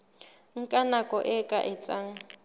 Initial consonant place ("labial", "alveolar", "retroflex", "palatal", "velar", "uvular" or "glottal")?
velar